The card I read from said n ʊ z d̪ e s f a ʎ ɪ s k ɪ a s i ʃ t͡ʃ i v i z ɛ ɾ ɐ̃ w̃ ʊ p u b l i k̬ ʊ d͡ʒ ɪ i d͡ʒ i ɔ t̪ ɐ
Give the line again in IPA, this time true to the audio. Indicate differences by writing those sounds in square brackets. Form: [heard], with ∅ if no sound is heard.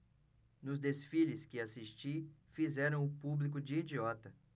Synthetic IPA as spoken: n ʊ z d̪ e s f [i] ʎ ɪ s k ɪ a s i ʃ t͡ʃ i [f] i z ɛ ɾ ɐ̃ w̃ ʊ p u b l i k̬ ʊ d͡ʒ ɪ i d͡ʒ i ɔ t̪ ɐ